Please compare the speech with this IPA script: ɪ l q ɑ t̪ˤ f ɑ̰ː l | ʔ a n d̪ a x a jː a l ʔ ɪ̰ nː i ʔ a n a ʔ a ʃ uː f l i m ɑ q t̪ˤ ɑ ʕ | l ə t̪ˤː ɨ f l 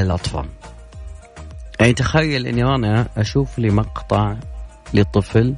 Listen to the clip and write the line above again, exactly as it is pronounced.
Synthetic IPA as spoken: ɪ l ʔ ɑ t̪ˤ f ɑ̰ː l | ʔ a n t̪ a x a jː a l ʔ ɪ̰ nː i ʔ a n a ʔ a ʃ uː f l i m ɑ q t̪ˤ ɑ ʕ | l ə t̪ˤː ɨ f l